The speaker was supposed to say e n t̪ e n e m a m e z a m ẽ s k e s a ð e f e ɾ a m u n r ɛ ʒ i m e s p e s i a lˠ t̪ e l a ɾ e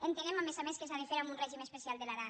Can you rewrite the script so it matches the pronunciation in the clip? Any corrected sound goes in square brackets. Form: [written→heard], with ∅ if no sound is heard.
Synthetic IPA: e n t̪ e n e m a m e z a m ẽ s k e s a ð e f e ɾ a m u n r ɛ ʒ i m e s p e s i a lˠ [t̪→d̪] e l a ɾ [e→a]

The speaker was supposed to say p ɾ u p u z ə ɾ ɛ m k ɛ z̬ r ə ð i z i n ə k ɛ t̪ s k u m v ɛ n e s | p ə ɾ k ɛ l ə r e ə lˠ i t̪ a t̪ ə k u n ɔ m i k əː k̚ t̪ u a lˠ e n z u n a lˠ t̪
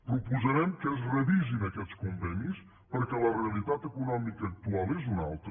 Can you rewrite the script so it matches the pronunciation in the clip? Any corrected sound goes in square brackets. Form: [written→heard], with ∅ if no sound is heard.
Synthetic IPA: p ɾ u p u z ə ɾ ɛ m k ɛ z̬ r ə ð i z i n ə k ɛ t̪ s k u m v ɛ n [e→i] s | p ə ɾ k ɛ l ə r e ə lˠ i t̪ a t̪ ə k u n ɔ m i k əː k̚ t̪ u a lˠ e [n→∅] z u n a lˠ t̪

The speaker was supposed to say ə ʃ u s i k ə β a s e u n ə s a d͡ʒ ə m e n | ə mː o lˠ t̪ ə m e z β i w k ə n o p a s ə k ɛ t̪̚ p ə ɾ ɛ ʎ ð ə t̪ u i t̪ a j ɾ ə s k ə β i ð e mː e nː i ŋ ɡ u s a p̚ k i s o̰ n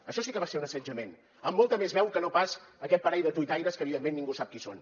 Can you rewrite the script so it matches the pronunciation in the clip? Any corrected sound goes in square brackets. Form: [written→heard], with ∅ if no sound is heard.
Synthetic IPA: ə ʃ [u→ɔ] s i k ə β a s e u n ə s [a→ə] d͡ʒ ə m e n | ə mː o lˠ t̪ ə m e z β [i→ɛ] w k ə n o p a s ə k ɛ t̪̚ p ə ɾ ɛ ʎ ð ə t̪ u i t̪ a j ɾ ə s k ə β i ð e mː e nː i ŋ ɡ u s a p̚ k i s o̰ n

